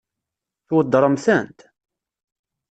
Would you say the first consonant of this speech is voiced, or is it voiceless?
voiceless